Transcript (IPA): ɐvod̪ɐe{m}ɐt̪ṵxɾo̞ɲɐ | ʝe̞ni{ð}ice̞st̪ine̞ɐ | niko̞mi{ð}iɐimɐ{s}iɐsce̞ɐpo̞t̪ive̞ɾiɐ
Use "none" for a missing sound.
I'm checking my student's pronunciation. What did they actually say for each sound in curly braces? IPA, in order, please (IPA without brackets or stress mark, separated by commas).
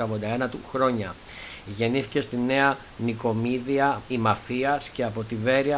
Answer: n, θ, ð, f